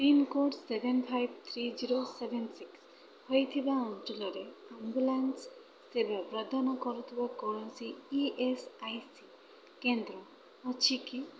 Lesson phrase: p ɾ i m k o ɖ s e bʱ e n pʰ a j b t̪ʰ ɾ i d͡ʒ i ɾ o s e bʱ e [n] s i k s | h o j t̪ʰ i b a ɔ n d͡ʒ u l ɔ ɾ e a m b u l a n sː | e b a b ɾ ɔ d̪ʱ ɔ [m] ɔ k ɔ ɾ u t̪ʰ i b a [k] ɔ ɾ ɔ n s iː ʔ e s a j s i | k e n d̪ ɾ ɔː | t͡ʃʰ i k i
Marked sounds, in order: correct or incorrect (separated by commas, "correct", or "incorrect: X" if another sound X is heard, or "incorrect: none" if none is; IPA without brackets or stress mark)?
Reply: correct, incorrect: n, correct